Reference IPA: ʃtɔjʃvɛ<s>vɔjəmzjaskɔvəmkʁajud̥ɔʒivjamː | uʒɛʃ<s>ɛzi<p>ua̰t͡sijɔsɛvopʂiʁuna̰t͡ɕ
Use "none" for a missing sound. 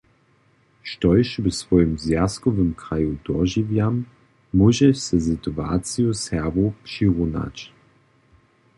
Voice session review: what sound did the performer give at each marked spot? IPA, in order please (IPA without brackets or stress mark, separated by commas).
s, s, t